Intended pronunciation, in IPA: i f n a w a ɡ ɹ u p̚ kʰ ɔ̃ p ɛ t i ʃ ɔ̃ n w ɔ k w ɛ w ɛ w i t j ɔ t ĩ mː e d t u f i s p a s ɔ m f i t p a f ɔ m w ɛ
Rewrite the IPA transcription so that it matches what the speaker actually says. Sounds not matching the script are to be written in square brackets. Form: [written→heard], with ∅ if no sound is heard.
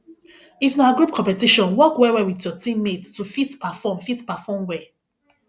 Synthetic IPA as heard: i f n a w a ɡ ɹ u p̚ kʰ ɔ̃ p ɛ t i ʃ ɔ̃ n w ɔ k w ɛ w ɛ w i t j ɔ t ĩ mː e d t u f i [s→t] p a [s→f] ɔ m f i t p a f ɔ m w ɛ